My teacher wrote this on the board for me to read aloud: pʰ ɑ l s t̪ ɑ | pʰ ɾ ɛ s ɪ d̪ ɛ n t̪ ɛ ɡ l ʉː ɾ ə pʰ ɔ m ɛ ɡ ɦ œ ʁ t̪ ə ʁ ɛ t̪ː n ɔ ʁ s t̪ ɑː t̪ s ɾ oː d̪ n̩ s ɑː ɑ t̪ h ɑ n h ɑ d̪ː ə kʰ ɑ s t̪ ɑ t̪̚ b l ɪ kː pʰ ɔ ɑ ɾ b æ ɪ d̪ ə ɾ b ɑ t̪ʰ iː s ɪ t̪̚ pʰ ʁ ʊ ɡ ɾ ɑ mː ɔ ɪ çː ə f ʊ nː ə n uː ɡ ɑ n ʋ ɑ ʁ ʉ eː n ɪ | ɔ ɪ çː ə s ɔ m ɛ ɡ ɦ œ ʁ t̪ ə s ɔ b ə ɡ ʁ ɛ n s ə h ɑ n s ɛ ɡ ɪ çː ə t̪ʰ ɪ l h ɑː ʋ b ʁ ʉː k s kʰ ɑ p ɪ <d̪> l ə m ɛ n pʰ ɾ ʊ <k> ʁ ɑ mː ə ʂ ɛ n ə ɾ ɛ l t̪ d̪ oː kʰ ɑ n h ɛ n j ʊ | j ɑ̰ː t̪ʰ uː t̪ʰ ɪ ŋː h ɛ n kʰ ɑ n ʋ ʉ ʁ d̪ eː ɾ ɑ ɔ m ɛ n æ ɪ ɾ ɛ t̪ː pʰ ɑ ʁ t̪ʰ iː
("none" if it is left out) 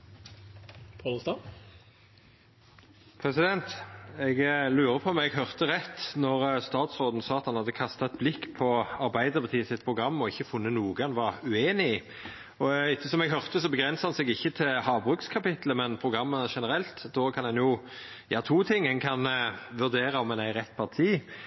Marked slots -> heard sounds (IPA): t̪, ɡ

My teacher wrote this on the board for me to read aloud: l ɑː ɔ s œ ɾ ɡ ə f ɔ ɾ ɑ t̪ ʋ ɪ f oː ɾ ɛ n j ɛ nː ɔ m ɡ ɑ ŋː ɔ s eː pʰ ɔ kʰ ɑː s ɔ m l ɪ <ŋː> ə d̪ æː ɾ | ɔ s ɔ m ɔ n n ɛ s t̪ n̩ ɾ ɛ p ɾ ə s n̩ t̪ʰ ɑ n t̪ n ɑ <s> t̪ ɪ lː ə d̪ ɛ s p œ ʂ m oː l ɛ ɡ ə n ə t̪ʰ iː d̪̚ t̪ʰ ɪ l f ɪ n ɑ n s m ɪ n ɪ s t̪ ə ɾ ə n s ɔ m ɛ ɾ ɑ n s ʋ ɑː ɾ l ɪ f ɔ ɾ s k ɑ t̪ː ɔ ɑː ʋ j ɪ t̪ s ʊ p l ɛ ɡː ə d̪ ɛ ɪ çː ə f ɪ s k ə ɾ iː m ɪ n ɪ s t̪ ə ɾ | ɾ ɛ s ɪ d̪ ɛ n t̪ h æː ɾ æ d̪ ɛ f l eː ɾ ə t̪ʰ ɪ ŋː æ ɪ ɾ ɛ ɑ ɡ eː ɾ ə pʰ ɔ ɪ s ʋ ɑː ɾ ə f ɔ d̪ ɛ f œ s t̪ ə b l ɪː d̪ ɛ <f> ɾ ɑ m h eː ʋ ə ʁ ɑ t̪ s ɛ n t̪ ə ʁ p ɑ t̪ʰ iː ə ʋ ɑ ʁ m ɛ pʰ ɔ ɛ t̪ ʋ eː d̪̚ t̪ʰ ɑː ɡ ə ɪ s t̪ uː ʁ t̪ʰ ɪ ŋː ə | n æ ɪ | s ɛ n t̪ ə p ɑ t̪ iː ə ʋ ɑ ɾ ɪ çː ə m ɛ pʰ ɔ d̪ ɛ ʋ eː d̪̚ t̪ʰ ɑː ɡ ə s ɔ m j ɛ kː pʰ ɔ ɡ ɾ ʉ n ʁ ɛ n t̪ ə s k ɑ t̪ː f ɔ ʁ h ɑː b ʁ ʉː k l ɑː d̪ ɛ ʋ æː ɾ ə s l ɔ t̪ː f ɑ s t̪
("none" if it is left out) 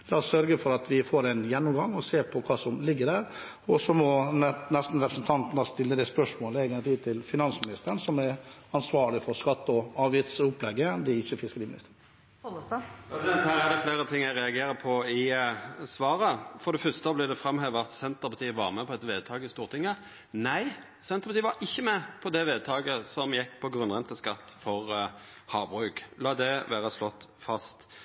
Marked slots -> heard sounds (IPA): ɡː, s, f

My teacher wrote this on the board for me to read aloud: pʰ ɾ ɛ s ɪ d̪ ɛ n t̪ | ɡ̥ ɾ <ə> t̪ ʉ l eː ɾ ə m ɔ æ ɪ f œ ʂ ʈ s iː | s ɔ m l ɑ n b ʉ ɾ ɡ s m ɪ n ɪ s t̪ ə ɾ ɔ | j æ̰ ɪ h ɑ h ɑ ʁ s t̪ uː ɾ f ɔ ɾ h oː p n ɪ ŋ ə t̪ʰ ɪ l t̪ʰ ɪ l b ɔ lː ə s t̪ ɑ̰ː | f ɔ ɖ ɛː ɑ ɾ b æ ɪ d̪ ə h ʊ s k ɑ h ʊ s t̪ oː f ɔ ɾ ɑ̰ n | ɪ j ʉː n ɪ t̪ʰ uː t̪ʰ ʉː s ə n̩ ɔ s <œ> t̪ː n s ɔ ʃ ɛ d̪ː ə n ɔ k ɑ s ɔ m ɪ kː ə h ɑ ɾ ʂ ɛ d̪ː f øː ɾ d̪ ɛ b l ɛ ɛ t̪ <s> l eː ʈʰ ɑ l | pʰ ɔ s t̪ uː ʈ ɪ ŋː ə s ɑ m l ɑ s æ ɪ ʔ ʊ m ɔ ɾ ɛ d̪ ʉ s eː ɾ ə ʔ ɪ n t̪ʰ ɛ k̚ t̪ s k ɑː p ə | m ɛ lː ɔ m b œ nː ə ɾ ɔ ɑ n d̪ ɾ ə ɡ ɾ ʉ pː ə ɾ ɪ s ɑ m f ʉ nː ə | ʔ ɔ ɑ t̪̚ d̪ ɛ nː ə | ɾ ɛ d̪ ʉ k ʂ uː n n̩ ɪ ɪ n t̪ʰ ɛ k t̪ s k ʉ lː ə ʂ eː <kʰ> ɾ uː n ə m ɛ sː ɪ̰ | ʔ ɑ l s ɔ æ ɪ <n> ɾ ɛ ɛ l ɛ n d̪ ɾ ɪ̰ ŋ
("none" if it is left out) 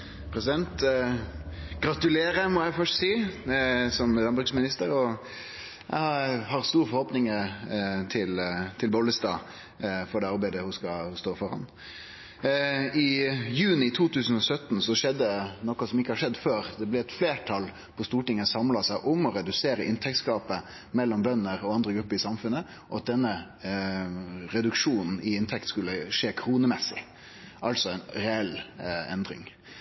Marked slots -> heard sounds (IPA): ɑ, œ, f, kʰ, n

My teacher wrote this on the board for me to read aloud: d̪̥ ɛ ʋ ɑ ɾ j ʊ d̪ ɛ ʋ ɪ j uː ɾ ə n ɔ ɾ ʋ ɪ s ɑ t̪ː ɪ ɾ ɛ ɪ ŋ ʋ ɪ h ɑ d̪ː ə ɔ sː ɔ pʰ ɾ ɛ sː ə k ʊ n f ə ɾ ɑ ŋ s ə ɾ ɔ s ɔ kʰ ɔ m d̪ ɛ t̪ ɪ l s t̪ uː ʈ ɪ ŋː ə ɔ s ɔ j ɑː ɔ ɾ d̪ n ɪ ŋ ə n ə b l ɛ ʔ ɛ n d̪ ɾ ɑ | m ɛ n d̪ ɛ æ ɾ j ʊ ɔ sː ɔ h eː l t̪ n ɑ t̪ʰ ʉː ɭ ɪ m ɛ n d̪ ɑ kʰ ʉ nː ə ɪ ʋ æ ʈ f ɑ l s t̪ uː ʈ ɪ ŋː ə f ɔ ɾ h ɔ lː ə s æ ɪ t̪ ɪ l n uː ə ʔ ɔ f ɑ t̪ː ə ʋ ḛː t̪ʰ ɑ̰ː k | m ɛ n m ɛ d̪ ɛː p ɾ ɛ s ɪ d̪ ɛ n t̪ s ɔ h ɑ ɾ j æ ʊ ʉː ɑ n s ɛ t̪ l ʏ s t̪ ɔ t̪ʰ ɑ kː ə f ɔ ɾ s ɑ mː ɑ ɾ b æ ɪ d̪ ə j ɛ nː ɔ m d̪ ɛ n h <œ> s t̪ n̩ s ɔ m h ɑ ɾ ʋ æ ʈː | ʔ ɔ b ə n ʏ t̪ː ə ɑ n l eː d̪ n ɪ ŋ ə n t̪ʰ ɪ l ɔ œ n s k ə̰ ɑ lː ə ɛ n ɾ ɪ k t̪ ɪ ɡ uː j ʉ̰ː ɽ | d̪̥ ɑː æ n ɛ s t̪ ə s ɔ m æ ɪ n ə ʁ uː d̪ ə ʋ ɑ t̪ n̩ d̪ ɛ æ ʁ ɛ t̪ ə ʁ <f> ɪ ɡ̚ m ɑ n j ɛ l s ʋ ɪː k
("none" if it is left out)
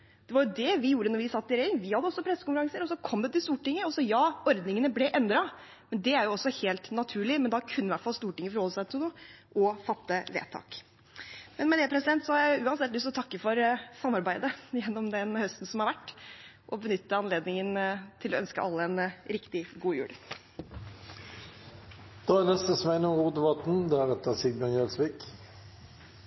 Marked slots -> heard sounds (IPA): œ, s

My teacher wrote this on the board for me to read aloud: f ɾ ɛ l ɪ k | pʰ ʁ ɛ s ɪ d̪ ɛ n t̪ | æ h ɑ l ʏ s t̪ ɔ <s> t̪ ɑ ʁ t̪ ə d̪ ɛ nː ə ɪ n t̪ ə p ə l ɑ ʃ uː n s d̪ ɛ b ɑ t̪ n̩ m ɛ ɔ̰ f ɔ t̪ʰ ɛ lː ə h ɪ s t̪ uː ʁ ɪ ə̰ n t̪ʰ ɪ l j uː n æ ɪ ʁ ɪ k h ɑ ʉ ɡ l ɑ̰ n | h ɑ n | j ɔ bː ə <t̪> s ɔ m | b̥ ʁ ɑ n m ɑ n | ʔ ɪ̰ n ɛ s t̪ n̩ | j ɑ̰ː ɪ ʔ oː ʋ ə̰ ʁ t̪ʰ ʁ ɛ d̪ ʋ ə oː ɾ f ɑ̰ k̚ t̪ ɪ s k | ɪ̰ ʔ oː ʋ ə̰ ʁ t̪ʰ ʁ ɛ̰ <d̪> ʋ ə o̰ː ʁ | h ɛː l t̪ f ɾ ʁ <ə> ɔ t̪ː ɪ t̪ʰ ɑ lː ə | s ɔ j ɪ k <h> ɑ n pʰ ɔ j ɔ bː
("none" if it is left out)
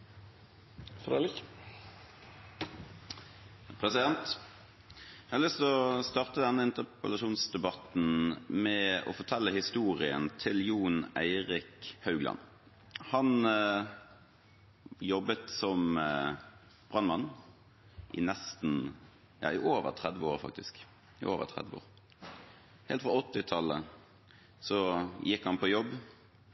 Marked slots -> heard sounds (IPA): s, t̪, d̪, ɑ, h

